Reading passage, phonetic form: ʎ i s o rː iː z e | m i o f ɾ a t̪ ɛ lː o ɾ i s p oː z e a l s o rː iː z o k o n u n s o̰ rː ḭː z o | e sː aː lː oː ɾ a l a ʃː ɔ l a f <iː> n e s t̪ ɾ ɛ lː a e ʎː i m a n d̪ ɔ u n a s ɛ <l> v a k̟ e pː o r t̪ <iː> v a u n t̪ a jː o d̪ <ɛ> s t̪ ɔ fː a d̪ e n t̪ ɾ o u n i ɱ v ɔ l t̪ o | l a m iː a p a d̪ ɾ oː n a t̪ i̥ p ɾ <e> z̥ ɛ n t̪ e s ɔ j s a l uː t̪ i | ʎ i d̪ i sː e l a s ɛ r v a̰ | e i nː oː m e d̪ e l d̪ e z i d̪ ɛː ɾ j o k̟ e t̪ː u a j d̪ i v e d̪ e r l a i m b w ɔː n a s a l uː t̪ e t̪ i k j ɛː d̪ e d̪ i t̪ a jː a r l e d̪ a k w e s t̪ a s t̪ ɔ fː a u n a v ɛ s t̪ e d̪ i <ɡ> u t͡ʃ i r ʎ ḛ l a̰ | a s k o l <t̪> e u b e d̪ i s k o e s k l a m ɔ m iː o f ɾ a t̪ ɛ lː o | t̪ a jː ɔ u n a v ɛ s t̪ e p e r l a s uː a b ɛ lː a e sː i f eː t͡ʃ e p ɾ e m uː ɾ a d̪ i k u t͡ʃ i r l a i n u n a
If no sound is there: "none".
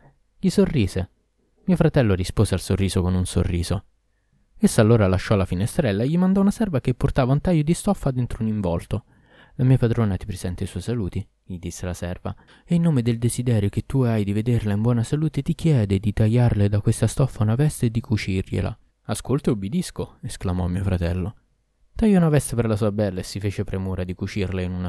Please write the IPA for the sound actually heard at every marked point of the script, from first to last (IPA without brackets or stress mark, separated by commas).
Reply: i, r, aː, i, e, k, t̪